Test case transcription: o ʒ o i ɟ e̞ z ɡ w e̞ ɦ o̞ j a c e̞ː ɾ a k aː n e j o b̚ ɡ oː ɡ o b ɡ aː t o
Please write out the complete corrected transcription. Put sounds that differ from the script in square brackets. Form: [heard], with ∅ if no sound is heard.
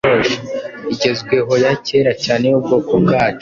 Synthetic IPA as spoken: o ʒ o i ɟ e̞ z ɡ w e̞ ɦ o̞ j a c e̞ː ɾ a [c] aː n e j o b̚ ɡ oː [k] o b ɡ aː [t͡ʃ] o